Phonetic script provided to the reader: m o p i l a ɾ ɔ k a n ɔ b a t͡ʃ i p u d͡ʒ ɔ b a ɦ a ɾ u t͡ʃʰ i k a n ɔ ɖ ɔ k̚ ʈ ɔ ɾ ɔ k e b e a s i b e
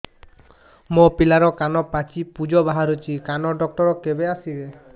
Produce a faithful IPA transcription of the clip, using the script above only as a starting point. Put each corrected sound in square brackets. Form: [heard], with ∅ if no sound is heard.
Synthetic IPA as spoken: m o p i l a ɾ ɔ k a n ɔ [p] a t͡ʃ i p u d͡ʒ ɔ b a ɦ a ɾ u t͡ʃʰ i k a n ɔ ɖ ɔ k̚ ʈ ɔ ɾ ɔ k e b e a s i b e